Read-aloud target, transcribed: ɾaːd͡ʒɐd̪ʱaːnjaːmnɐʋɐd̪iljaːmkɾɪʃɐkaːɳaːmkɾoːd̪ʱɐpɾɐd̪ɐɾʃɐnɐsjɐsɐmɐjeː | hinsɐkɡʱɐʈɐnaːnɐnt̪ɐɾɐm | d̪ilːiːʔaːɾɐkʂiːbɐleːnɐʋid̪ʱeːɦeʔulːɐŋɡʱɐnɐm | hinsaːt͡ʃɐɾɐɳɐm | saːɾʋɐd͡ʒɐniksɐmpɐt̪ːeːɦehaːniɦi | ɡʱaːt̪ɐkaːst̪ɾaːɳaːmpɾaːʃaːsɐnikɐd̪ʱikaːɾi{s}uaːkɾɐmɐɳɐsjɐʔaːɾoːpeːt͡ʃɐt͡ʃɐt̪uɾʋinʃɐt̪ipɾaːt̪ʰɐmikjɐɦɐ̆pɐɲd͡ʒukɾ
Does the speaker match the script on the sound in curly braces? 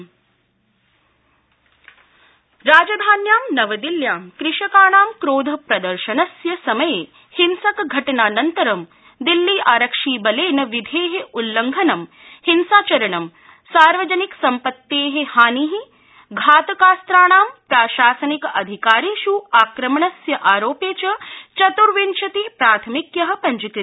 no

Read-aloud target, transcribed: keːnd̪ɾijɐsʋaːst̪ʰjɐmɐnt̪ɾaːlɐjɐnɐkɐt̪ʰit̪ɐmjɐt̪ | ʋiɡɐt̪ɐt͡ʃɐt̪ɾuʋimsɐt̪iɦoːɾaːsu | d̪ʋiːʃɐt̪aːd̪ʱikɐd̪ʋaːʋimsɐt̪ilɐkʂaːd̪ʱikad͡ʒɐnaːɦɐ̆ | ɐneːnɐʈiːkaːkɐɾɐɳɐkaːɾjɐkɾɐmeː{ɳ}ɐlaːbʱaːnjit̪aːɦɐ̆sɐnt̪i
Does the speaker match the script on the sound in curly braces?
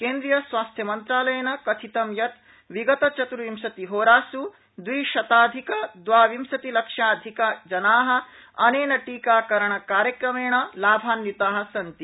yes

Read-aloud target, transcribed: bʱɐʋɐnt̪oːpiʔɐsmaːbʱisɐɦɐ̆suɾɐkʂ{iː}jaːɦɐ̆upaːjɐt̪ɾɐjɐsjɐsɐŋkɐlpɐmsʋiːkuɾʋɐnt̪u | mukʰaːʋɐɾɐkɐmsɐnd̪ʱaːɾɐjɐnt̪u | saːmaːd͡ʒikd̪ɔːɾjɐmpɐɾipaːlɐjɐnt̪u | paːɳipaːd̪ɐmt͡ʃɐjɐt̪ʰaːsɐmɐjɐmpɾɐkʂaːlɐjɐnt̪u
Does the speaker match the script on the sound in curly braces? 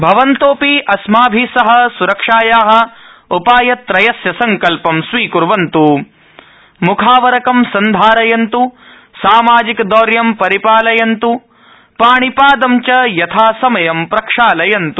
no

